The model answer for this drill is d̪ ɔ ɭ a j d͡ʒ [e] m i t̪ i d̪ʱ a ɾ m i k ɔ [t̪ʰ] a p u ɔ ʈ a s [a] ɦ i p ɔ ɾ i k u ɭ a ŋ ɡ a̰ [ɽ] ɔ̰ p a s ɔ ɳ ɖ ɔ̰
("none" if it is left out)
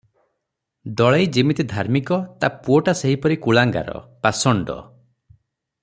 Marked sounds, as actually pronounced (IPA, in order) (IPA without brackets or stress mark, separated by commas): i, t̪, e, ɾ